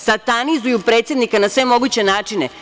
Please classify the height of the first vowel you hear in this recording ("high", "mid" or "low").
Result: low